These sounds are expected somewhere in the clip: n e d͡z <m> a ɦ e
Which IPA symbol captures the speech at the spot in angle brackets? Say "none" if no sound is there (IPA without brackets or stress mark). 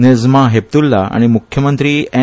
m